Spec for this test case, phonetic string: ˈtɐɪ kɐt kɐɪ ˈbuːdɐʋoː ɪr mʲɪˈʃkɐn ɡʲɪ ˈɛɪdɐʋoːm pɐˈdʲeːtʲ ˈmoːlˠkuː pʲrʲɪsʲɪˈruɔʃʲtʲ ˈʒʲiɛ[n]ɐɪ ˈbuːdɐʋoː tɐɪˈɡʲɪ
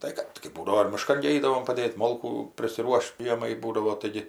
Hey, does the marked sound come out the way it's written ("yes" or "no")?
no